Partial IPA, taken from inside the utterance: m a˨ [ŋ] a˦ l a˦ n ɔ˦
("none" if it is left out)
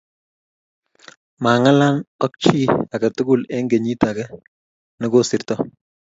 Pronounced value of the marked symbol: ŋ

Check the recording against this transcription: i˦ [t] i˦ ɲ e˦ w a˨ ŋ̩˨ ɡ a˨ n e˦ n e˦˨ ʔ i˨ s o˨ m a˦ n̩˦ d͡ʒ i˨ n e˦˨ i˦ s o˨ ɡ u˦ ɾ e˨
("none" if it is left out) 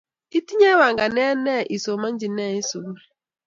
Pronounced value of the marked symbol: t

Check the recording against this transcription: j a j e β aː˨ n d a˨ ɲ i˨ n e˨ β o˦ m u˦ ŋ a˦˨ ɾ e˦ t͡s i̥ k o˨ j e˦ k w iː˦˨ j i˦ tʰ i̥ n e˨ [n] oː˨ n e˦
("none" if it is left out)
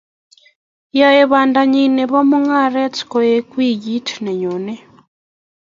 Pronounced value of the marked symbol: ɲ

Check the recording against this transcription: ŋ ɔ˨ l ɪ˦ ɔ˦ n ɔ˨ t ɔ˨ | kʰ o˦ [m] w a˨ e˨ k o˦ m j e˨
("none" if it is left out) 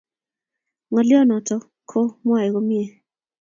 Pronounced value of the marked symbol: m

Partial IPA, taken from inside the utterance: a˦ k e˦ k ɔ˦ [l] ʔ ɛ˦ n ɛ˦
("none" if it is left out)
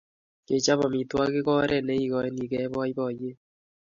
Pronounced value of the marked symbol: ɾ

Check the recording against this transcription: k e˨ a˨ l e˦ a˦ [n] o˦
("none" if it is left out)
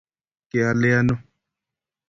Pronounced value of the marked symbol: n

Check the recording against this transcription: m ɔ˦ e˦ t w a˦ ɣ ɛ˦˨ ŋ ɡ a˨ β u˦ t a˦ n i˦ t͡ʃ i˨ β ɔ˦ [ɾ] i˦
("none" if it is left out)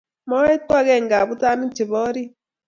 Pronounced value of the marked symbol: ɾ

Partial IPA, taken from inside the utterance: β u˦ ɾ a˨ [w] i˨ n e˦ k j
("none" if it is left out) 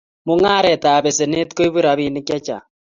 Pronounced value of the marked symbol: β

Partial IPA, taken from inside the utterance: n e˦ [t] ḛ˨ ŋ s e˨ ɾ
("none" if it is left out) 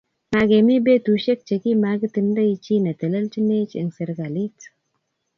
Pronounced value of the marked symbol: t͡ʃ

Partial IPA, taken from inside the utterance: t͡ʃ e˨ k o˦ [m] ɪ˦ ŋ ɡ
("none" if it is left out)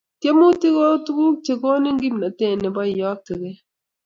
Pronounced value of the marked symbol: n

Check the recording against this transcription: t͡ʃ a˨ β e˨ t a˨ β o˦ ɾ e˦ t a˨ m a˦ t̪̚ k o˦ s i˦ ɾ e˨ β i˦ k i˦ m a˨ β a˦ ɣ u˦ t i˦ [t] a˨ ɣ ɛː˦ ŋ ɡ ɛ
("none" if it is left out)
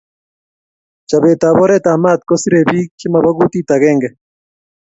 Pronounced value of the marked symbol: t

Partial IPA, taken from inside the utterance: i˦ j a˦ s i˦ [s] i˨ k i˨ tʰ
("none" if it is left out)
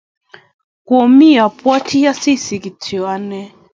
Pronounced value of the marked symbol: s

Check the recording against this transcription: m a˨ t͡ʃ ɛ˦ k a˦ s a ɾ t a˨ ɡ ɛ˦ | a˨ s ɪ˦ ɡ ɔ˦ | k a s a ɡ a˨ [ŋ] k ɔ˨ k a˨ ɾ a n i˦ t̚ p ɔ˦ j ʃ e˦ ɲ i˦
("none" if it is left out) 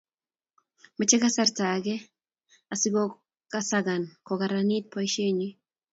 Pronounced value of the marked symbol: n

